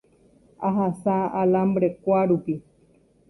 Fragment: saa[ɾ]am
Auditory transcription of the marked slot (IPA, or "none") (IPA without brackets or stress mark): l